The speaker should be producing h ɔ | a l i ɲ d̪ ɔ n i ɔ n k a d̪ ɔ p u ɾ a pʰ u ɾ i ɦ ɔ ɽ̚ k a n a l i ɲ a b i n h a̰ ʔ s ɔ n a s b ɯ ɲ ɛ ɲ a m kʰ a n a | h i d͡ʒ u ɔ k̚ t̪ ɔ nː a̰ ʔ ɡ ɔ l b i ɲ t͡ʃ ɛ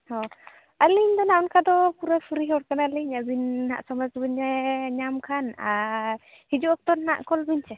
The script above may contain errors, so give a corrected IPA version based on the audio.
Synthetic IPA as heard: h ɔ | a l i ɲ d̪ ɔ n a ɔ n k a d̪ ɔ p u ɾ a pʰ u ɾ i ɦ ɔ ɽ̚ k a n a l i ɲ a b i n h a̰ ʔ s ɔ m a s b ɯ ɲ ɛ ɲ a m kʰ a n a | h i d͡ʒ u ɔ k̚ t̪ ɔ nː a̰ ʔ k ɔ l b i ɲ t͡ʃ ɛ